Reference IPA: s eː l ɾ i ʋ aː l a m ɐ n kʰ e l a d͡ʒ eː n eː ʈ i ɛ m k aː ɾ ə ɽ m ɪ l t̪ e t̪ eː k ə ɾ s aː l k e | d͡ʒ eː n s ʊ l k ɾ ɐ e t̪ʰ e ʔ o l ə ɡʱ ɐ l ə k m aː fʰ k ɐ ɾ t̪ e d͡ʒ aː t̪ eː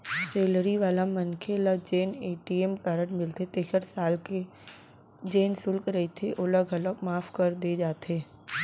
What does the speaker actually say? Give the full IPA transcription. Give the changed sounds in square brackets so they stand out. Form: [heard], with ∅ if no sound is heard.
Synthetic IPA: s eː l ɾ i ʋ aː l a m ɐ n kʰ e l a d͡ʒ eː n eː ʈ i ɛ m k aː ɾ ə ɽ m ɪ l t̪ e t̪ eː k ə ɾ s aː l k e | d͡ʒ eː n s ʊ l k ɾ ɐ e t̪ʰ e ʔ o l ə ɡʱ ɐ l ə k m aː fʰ k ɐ ɾ [d̪] e d͡ʒ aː t̪ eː